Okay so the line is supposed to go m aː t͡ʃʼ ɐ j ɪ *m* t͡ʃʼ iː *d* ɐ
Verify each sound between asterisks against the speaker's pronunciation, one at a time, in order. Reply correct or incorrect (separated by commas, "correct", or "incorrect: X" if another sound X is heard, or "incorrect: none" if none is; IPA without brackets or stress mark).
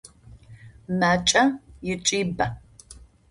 incorrect: none, incorrect: b